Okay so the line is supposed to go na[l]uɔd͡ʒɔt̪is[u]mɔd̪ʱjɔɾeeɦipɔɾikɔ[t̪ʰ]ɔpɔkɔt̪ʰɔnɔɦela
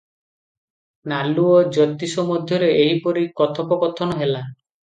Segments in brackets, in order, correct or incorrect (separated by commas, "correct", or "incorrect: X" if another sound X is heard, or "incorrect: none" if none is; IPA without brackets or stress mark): correct, incorrect: ɔ, correct